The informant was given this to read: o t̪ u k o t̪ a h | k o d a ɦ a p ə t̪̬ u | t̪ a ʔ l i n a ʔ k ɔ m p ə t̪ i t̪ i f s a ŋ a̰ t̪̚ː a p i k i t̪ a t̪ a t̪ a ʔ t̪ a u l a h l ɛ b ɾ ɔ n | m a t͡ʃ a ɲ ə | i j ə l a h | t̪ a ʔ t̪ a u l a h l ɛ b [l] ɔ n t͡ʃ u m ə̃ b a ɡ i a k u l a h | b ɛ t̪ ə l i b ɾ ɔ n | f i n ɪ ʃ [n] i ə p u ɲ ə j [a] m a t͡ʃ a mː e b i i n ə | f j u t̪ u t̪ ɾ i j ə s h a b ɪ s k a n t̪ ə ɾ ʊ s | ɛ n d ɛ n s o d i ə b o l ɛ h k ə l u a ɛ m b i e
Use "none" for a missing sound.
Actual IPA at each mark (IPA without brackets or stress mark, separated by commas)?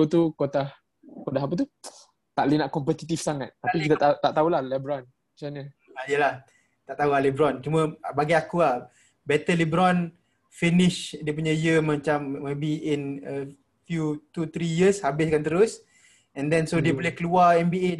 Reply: ɾ, d, ə